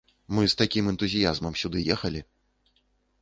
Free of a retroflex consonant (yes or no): yes